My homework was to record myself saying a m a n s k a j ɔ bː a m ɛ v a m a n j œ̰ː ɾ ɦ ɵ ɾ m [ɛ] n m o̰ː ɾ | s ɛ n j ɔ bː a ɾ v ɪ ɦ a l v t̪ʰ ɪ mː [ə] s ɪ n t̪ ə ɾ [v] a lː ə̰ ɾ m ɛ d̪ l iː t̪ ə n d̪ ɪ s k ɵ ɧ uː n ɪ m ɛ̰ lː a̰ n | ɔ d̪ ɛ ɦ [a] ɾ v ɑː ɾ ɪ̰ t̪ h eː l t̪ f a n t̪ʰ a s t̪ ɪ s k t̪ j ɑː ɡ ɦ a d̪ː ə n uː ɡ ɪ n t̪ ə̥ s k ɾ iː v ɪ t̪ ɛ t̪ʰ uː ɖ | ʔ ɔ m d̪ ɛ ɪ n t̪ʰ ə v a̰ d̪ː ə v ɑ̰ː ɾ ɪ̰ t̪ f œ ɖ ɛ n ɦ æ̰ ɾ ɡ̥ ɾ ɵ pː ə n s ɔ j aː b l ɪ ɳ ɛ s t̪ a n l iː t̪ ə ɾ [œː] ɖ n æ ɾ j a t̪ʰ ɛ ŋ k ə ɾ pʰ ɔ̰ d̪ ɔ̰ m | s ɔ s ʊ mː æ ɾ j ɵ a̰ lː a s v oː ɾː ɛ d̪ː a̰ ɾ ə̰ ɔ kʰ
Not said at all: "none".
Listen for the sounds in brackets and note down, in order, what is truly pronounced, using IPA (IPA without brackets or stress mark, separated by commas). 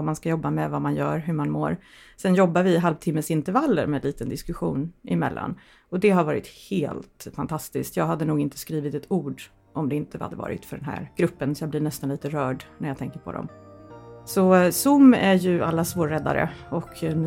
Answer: a, ə, v, a, œː